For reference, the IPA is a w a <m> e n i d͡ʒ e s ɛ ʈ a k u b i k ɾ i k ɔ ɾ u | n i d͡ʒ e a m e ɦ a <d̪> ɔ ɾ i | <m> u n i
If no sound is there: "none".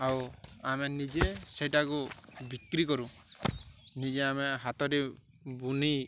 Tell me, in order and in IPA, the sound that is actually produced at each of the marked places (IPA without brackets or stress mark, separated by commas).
m, t̪, b